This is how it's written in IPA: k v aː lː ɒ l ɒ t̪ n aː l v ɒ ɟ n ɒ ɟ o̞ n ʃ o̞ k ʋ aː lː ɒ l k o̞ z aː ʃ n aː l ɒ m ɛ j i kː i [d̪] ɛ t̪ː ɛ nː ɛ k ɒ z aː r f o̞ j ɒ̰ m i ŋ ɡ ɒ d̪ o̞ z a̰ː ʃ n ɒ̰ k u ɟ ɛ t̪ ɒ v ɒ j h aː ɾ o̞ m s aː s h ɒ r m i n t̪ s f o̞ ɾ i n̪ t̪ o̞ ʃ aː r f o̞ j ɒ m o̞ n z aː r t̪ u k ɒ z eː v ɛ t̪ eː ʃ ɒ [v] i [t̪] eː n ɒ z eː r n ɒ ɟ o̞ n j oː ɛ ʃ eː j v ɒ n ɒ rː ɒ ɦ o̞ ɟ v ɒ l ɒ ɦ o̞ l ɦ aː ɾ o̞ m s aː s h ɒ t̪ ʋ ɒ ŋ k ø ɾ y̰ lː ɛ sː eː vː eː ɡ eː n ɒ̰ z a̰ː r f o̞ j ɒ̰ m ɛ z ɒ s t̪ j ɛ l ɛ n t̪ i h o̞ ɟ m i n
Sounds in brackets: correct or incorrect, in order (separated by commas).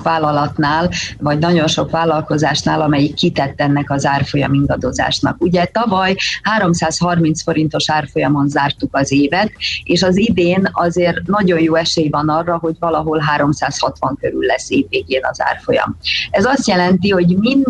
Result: incorrect, incorrect, incorrect